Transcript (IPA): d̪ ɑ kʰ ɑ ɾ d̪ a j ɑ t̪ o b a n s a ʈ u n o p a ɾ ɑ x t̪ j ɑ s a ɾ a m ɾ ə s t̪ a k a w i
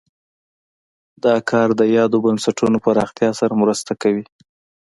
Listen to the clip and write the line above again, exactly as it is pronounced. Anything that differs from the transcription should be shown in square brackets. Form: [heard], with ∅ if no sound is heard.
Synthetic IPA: d̪ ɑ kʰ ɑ ɾ d̪ [ə] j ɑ [d̪] o b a n s a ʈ u n o p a ɾ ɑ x t̪ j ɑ s a ɾ a m ɾ ə s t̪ a k a w i